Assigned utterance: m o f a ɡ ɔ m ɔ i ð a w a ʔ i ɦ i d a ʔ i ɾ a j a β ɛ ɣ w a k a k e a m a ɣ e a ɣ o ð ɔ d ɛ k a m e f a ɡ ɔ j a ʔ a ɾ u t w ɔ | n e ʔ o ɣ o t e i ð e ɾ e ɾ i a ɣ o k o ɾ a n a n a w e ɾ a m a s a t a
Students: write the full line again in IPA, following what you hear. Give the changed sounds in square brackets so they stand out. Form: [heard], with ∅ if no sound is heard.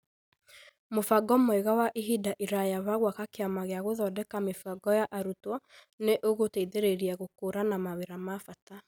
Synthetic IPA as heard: m o f a ɡ ɔ m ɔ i [ɣ] a w a ʔ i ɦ i d a ʔ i ɾ a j a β [a] ɣ w a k a k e a m a ɣ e a ɣ o ð ɔ d ɛ k a m e f a ɡ ɔ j a ʔ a ɾ u t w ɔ | n e ʔ o ɣ o t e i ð e ɾ e ɾ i a ɣ o k o ɾ a n a [m] a w e ɾ a m a [f] a t a